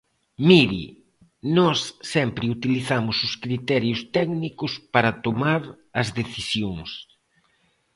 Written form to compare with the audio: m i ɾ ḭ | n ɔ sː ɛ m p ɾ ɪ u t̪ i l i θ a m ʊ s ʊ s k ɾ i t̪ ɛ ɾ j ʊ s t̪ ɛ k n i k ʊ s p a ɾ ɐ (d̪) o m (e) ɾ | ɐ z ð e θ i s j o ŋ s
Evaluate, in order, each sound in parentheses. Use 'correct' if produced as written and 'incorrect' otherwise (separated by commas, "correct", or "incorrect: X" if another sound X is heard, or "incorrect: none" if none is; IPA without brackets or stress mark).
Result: incorrect: t̪, incorrect: a